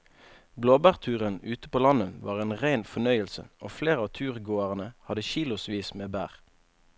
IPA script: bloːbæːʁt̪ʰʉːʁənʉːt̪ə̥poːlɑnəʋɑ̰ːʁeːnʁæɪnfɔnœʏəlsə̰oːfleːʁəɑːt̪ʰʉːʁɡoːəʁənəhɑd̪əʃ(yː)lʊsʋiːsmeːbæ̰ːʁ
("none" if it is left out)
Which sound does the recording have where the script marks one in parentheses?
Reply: iː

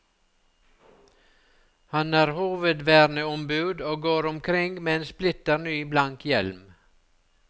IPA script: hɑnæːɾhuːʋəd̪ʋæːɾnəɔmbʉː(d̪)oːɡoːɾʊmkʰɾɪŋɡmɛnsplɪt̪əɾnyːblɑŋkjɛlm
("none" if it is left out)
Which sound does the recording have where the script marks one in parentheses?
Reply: d̪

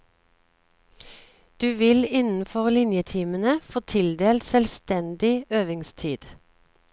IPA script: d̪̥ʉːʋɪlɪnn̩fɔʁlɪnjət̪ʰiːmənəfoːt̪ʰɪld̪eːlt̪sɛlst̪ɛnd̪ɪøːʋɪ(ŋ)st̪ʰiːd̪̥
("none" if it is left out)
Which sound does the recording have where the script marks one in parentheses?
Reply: ŋ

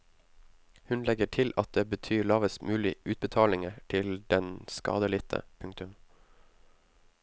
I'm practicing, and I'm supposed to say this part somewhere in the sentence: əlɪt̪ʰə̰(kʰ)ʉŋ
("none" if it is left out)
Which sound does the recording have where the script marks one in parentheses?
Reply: pʰ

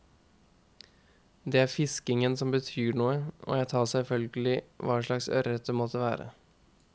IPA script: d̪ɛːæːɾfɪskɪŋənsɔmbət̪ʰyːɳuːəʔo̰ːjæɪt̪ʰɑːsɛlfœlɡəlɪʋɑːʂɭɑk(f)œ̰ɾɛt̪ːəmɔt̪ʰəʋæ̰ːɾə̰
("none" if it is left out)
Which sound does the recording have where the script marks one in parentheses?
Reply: s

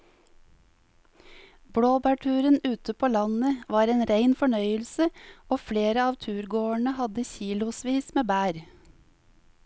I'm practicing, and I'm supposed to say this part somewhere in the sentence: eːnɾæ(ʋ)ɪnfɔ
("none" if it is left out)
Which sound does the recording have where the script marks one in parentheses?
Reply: none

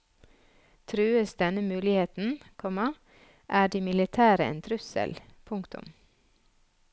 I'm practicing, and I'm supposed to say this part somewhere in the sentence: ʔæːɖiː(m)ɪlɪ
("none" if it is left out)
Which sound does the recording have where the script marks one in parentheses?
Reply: m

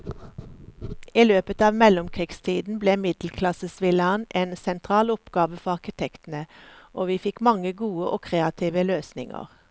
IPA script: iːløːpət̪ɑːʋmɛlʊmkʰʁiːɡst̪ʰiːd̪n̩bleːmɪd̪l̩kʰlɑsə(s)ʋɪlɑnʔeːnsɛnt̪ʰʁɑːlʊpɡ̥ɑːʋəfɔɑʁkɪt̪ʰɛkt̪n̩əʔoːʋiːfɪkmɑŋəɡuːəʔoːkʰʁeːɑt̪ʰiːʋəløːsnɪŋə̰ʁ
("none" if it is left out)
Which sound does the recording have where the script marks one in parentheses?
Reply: s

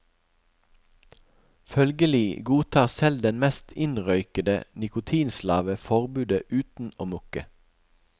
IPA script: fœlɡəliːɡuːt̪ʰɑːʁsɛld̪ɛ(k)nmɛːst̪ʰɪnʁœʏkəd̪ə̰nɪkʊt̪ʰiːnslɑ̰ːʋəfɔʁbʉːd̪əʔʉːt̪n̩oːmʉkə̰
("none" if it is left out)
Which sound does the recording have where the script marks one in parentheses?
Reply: none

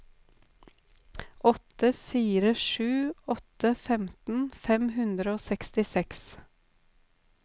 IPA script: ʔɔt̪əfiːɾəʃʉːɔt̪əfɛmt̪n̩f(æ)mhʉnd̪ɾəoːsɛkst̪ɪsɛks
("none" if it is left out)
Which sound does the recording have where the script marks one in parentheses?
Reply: ɛ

